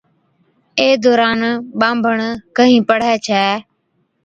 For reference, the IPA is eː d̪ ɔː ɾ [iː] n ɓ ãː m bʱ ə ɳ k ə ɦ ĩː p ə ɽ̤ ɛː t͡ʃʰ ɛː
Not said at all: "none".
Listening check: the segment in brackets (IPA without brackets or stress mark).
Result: aː